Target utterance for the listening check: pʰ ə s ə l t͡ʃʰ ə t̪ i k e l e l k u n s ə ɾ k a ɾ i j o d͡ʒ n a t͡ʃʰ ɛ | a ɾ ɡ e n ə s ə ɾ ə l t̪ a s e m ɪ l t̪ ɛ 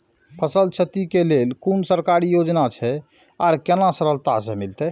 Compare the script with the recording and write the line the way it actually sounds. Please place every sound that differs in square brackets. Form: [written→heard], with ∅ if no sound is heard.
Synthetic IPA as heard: pʰ ə s ə l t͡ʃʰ ə t̪ i k e l e l k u n s ə ɾ k a ɾ i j o d͡ʒ n a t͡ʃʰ ɛ | a ɾ [ɡ→k] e n [ə→a] s ə ɾ ə l t̪ a s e m [ɪ→i] l t̪ ɛ